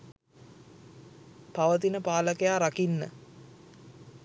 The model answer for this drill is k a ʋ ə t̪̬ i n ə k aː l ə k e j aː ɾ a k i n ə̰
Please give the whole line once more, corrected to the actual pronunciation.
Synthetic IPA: p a ʋ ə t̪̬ i n ə p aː l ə k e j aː ɾ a k i nː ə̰